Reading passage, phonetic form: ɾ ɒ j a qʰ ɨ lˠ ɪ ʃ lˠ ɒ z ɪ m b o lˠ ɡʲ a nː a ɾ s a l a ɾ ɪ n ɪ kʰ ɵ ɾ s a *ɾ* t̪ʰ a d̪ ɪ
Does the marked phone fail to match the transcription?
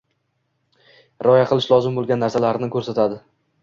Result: yes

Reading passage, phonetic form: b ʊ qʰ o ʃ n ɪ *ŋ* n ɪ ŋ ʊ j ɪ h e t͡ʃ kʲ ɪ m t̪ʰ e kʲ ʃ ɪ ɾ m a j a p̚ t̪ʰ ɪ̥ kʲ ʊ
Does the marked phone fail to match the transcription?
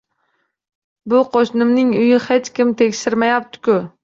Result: yes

